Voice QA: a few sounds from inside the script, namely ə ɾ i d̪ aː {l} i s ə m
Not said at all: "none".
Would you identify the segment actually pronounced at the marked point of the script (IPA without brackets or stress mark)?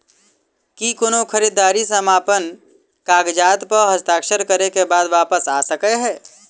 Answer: ɾ